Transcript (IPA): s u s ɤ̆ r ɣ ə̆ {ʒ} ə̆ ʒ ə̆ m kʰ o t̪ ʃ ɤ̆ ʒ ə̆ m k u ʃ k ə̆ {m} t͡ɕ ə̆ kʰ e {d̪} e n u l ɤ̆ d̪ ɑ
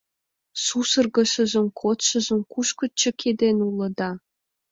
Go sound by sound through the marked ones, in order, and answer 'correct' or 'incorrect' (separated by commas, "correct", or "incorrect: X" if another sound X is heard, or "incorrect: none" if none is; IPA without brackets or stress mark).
incorrect: ʃ, incorrect: none, correct